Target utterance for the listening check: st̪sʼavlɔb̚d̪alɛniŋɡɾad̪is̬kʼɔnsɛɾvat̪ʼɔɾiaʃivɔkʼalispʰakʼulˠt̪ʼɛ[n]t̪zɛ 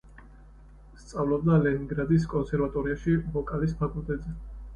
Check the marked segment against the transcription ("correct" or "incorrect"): incorrect